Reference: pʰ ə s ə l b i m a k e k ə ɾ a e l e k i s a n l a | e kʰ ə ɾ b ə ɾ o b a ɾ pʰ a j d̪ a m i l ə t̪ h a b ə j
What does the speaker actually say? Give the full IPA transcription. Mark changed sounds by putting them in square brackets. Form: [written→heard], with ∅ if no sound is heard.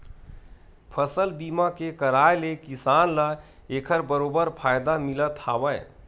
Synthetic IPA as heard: pʰ ə s ə l b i m a k e k ə ɾ a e l e k i s a n l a | e kʰ ə ɾ b ə ɾ o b [a→ə] ɾ pʰ a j d̪ a m i l ə t̪ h a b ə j